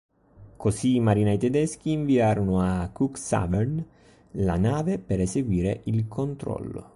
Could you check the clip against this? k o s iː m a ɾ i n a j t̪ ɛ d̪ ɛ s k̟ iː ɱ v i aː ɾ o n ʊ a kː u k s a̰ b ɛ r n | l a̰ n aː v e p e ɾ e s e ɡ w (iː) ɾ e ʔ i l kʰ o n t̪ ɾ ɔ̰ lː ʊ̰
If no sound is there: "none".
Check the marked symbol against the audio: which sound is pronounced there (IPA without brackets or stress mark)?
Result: iː